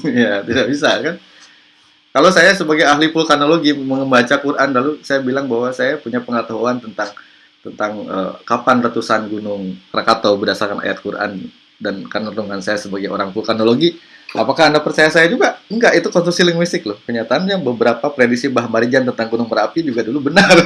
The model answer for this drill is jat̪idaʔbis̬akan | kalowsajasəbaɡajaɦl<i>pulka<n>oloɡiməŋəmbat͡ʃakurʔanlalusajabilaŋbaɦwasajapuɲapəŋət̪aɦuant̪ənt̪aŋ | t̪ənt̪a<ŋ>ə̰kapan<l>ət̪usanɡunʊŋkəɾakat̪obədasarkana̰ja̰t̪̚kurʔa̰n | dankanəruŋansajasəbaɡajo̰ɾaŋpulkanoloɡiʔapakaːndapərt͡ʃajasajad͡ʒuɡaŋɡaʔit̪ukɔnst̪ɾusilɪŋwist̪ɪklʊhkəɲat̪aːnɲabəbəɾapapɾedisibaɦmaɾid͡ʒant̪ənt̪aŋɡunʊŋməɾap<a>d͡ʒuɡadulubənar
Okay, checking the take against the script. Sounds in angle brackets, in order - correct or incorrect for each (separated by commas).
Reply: correct, correct, correct, incorrect, incorrect